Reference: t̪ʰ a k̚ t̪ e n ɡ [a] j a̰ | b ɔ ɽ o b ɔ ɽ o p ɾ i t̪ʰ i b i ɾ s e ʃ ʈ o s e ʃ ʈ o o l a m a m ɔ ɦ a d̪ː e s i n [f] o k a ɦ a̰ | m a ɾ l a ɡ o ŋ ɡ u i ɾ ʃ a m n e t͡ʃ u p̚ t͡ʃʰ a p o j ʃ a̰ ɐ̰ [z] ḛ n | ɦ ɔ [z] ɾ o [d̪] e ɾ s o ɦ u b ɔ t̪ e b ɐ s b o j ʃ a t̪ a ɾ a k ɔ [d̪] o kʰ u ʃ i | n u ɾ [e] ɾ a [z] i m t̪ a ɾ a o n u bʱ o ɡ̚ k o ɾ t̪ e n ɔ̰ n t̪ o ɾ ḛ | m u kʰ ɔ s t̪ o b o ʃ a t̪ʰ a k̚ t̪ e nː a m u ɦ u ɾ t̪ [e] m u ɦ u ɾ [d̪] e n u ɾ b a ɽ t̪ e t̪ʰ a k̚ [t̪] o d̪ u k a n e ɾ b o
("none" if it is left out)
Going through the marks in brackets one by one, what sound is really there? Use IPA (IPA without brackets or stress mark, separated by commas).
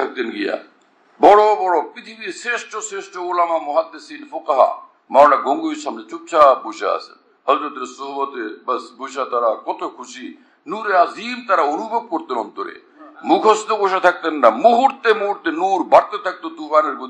i, f, s, z, t̪, t̪, e, z, e, t̪, t̪